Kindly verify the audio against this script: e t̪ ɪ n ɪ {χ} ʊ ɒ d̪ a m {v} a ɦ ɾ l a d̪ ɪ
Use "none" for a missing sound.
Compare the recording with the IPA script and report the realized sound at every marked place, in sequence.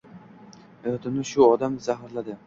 ʃ, z

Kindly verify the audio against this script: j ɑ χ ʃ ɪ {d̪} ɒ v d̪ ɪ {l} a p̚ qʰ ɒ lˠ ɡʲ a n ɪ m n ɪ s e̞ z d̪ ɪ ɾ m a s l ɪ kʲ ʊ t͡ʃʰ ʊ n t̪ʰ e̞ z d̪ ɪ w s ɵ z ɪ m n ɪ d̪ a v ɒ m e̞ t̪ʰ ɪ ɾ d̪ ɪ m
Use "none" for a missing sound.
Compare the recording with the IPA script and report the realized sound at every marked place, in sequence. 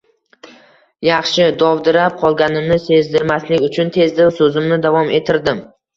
d̪, ɾ

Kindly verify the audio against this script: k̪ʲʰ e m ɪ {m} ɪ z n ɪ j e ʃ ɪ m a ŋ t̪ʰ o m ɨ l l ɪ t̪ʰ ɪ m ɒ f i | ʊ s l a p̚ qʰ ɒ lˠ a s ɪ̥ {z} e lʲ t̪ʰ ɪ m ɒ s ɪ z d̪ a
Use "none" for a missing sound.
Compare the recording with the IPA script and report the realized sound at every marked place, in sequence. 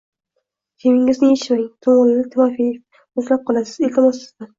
ŋ, z

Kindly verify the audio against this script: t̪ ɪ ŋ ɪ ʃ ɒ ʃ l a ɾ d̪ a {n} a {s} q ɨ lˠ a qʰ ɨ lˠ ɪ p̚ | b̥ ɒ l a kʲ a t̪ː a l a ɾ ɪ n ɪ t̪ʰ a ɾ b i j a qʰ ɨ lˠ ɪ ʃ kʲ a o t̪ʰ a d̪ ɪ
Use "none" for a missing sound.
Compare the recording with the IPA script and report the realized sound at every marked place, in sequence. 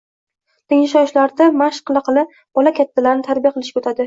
m, ʃ

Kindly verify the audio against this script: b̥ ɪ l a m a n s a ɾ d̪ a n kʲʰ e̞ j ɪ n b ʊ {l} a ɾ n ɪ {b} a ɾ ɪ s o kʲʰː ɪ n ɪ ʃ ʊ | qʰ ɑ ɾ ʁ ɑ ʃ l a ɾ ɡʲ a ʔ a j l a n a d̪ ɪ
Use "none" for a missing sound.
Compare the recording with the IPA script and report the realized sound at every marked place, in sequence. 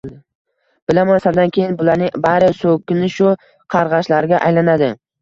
l, b

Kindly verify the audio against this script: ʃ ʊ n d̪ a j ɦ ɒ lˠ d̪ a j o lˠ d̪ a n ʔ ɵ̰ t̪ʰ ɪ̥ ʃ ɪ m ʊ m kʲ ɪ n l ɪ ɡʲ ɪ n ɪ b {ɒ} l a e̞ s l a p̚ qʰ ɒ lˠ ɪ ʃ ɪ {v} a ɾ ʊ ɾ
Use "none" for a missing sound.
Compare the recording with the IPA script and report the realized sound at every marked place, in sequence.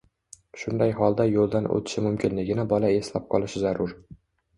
ɒ, z

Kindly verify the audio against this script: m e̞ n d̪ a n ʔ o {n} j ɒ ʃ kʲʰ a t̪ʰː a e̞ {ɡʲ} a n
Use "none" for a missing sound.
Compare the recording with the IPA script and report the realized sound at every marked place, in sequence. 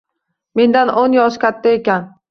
n, kʲ

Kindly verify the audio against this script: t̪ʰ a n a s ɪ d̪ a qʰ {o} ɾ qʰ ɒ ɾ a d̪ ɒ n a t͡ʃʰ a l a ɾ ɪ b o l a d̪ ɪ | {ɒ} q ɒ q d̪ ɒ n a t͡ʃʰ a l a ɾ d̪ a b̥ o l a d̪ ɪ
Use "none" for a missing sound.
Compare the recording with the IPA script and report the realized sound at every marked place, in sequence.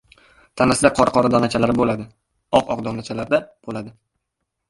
ɒ, ɒ

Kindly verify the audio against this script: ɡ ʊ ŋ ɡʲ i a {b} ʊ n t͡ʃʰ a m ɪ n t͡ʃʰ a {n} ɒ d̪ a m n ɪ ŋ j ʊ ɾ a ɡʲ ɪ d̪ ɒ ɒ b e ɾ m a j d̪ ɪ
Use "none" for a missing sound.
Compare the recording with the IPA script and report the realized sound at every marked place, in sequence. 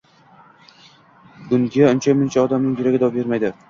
none, none

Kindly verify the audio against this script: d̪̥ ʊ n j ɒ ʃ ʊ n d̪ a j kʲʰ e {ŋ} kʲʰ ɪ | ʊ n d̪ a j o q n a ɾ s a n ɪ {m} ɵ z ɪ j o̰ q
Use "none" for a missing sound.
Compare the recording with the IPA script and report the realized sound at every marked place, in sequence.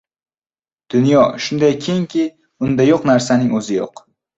ŋ, ŋ

